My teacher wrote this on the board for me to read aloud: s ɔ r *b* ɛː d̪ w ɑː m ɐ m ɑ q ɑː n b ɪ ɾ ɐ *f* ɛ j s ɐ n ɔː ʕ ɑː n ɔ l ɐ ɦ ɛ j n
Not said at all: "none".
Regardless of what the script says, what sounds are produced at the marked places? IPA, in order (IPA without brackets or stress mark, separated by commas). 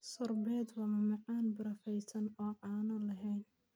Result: b, f